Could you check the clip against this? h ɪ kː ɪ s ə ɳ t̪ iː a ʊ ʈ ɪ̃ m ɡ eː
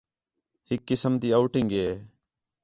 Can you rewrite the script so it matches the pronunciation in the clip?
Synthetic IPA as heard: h ɪ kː ɪ s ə m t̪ iː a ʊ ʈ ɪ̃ ŋ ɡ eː